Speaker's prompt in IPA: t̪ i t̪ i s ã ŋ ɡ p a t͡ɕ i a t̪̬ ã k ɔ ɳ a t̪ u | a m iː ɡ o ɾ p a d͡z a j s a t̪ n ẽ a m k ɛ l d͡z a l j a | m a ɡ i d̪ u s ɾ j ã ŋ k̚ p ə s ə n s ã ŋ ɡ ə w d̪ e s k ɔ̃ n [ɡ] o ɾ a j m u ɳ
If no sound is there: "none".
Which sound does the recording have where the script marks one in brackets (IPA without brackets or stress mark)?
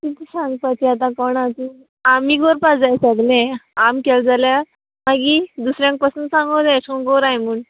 ɡ